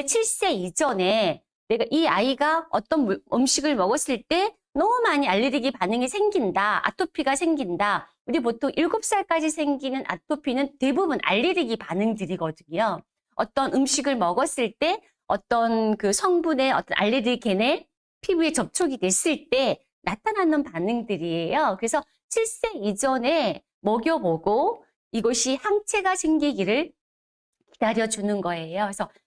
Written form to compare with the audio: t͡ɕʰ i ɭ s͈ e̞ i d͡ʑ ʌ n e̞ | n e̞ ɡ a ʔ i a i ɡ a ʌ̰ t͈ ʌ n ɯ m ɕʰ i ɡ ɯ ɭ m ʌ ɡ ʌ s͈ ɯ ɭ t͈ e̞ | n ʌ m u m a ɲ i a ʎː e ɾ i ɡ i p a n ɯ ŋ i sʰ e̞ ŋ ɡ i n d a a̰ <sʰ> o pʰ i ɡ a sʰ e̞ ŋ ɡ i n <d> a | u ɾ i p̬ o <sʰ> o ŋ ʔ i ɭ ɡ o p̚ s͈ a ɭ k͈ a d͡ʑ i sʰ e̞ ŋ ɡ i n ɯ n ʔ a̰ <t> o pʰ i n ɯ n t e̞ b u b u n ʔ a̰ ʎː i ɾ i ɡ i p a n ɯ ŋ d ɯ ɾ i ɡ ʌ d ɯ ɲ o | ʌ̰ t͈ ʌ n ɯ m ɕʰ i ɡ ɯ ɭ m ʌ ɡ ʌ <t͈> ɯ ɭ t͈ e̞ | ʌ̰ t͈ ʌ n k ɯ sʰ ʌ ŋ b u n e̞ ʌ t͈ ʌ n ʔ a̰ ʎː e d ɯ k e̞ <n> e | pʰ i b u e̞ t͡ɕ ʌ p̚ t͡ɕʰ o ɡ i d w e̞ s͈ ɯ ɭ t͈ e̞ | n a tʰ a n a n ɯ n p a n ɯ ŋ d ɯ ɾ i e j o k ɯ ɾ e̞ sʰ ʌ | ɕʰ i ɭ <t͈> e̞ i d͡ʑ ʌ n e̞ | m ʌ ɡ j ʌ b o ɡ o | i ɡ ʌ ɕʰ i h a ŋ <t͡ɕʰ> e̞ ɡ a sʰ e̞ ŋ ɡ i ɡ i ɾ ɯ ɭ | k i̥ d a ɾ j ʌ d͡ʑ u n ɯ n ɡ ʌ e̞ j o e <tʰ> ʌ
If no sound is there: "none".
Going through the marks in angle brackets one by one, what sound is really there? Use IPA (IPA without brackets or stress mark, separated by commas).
tʰ, d, tʰ, tʰ, s͈, n, s͈, t͡ɕʰ, sʰ